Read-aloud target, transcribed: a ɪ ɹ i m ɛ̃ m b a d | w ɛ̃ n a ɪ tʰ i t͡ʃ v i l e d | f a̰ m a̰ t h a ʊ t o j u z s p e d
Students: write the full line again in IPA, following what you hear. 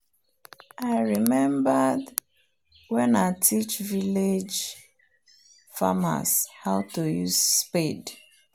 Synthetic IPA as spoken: a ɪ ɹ i m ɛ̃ m b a d | w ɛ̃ n a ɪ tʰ i t͡ʃ v i l e d͡ʒ | f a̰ m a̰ s h a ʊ t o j u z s p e d

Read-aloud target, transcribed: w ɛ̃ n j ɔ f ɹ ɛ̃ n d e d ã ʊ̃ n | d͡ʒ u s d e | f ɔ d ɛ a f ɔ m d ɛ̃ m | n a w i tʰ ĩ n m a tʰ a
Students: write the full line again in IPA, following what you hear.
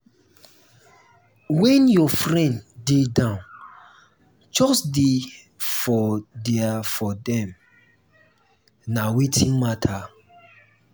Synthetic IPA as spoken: w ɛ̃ n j ɔ f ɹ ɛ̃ n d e d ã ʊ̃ n | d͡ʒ ɔ s d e | f ɔ d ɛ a f ɔ d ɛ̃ m | n a w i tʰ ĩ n m a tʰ a

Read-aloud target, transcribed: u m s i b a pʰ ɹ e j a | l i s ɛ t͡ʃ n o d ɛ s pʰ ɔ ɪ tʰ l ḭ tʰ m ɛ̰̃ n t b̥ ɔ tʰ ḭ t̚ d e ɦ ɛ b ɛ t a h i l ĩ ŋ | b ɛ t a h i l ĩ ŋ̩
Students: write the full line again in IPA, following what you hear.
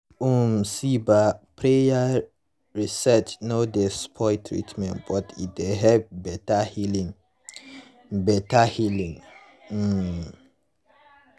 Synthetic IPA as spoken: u m s i b a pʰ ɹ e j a | ɹ i s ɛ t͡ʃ n o d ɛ s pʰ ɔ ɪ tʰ ɹ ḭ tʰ m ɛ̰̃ n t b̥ ɔ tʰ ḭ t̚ d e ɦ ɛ b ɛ t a h i l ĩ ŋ | b ɛ t a h i l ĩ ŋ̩

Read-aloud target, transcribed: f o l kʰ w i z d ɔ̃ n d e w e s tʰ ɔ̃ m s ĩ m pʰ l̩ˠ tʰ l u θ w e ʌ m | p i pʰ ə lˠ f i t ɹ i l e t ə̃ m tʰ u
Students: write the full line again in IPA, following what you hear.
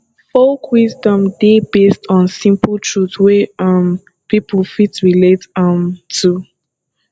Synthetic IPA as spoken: f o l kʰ w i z d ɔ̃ m d e b e s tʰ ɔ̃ n s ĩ m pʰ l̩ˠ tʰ ɹ u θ w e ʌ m | p i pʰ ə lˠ f i t ɹ i l e t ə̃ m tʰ u

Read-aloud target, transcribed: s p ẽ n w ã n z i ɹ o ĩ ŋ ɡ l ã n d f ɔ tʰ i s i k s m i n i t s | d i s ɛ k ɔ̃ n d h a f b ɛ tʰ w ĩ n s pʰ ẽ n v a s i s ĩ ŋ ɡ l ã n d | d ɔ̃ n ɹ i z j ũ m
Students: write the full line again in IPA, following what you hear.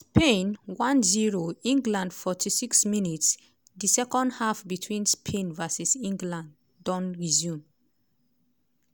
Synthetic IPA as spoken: s p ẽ n w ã n z i ɹ o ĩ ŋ ɡ l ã n d f ɔ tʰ i s i k s m i n i t s | d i s ɛ k ɔ̃ n d h a f b i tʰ w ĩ n s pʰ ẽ n v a s i s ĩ ŋ ɡ l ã n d | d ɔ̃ n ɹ i z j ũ m

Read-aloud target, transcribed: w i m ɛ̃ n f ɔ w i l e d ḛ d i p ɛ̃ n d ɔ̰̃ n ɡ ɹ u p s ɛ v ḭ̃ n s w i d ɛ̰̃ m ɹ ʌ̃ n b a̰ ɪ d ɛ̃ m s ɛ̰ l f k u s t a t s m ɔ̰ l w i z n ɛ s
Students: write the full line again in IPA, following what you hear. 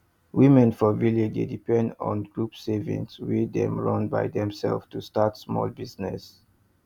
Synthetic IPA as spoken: w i m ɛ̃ n f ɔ v i l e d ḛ d i p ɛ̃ n d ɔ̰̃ n ɡ ɹ u p s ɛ v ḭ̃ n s w i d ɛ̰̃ m ɹ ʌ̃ n b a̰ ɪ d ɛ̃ m s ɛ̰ l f t u s t a t s m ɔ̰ l b i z n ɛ s

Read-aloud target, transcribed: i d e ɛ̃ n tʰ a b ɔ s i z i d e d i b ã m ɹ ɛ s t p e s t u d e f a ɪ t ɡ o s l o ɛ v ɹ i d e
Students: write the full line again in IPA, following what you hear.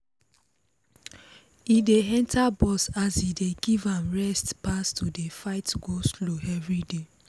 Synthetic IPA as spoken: i d e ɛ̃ n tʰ a b ɔ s a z i d e ɡ i v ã m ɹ ɛ s t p a s t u d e f a ɪ t ɡ o s l o ɛ v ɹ i d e

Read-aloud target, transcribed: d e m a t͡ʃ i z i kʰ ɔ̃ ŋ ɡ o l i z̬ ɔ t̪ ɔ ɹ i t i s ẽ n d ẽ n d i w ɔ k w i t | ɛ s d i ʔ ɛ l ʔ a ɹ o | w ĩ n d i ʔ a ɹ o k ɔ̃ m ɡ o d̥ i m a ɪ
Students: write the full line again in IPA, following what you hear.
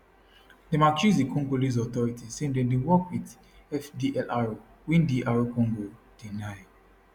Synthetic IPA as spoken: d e m a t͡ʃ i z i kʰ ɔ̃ ŋ ɡ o l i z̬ ɔ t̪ ɔ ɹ i t i s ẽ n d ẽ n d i w ɔ k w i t | ɛ f d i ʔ ɛ l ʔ a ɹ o | w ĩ n d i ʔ a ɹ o k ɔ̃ ŋ ɡ o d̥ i n a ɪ

